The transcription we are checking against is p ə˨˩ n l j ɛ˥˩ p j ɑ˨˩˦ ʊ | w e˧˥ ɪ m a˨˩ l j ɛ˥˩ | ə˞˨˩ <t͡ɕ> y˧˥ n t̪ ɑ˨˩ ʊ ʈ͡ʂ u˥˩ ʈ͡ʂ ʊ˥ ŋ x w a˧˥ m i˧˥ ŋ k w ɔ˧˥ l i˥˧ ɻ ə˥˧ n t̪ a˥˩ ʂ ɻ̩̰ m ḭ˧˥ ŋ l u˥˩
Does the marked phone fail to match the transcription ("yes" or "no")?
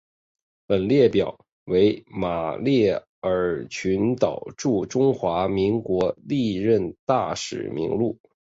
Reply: yes